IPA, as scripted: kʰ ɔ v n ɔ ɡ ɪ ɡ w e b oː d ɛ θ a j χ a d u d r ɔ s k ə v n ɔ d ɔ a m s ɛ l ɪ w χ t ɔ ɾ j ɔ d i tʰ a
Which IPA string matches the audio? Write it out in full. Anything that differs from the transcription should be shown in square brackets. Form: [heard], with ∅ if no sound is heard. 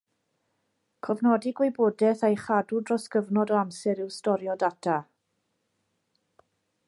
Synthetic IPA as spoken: kʰ ɔ v n ɔ [d] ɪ ɡ w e b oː d ɛ θ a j χ a d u d r ɔ s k ə v n ɔ d ɔ a m s ɛ [ɾ] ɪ w [s] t ɔ ɾ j ɔ d [a] tʰ a